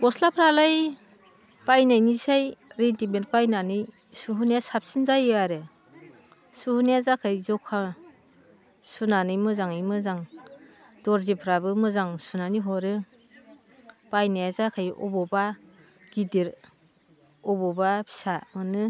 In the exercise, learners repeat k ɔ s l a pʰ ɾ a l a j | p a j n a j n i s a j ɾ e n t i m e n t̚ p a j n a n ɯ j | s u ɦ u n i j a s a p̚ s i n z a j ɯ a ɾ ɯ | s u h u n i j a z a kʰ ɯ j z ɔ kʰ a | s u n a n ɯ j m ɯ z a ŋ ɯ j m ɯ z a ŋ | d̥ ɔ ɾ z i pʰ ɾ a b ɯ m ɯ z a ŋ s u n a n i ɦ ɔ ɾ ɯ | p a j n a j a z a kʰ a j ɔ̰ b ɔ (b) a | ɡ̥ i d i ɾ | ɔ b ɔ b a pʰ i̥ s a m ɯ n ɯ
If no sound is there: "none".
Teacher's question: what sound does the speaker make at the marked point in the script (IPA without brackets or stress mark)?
b